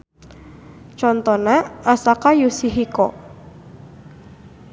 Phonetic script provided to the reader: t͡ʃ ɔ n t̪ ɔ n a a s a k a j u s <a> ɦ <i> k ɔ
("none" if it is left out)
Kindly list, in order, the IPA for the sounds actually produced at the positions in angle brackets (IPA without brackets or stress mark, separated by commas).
i, i